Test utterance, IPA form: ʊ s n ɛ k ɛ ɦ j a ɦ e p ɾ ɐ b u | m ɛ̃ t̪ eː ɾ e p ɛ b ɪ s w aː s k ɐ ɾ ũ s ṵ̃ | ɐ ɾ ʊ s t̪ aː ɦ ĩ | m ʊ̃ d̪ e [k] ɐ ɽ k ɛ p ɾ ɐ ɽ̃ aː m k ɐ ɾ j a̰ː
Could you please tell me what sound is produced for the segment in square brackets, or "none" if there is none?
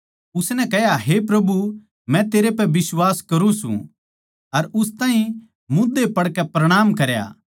p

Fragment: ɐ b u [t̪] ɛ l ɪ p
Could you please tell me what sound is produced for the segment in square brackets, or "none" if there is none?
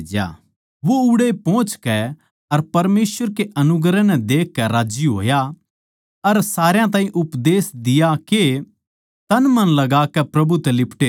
t̪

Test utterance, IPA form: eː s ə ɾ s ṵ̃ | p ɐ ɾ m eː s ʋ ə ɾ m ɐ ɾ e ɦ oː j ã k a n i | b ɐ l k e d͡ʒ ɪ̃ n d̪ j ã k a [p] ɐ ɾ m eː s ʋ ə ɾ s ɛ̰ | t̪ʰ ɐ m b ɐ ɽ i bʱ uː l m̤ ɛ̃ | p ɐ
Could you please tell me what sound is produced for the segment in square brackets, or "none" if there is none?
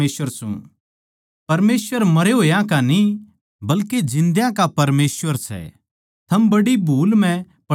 p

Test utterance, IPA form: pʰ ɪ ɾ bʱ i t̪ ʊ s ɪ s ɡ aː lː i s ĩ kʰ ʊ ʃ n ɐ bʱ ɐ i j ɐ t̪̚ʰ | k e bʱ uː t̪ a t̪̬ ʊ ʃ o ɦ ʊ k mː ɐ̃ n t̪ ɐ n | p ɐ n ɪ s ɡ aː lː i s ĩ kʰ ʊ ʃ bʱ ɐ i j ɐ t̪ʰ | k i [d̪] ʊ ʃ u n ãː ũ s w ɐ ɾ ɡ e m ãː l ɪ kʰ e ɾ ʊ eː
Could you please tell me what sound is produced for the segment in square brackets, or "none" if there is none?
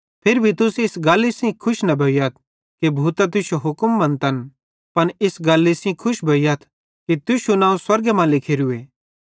t̪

